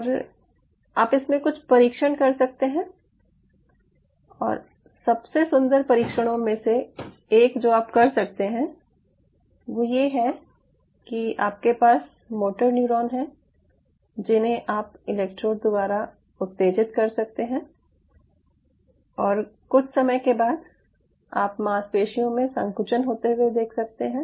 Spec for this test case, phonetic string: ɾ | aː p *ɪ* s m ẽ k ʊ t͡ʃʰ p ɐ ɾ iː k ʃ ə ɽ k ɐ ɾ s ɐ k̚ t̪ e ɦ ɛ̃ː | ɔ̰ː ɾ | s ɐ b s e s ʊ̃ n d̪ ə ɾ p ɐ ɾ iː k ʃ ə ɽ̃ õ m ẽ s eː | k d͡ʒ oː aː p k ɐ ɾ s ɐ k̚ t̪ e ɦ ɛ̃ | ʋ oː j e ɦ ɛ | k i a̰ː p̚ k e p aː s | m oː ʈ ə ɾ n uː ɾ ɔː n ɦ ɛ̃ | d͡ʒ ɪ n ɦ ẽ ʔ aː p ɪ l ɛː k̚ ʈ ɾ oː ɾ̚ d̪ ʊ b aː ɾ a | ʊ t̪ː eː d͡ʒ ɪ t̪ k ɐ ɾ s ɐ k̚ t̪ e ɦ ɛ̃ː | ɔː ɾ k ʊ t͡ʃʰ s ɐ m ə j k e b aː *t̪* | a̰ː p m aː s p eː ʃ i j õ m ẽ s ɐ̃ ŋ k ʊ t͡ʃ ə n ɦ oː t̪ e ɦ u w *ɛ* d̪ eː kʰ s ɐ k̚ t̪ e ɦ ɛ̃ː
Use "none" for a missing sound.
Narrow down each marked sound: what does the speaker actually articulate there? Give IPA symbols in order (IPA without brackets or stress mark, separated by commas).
ɪ, d̪, e